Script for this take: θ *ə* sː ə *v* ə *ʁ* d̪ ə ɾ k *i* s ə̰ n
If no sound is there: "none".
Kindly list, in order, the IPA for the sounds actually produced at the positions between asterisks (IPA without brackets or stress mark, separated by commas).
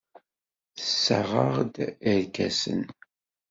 ə, ʁ, ʁ, æ